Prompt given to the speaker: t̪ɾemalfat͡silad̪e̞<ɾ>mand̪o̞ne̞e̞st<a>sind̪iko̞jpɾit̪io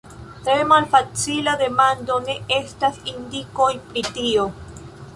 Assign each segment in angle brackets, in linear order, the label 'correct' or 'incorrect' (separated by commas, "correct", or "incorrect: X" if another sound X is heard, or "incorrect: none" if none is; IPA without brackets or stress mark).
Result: incorrect: none, correct